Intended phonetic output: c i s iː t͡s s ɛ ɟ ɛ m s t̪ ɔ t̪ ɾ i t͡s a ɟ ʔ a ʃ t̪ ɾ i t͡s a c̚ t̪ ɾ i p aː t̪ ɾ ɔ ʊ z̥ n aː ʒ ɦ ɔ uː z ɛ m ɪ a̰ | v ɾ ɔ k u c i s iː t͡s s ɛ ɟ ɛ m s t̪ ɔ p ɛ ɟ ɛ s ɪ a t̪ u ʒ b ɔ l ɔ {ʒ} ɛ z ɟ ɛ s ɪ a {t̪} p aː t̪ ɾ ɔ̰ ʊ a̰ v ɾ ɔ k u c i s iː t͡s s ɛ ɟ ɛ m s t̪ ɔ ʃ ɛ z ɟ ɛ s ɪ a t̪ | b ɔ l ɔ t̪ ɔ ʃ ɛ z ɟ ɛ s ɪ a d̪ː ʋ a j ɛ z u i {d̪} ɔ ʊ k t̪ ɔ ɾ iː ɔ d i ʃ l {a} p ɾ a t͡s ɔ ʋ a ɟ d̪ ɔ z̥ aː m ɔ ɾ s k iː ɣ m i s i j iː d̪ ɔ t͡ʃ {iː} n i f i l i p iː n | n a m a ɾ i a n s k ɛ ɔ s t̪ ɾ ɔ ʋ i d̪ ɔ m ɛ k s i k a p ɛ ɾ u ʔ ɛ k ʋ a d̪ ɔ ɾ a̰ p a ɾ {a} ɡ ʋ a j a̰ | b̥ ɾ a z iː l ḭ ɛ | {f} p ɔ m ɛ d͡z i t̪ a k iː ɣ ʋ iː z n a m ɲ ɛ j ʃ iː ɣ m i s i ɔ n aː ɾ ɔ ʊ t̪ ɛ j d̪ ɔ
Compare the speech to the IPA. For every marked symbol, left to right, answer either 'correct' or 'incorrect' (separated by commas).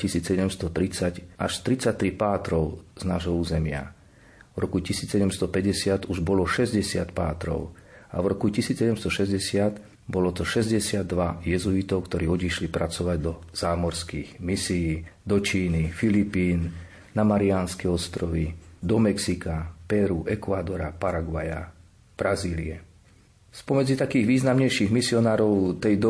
incorrect, correct, incorrect, incorrect, correct, correct, incorrect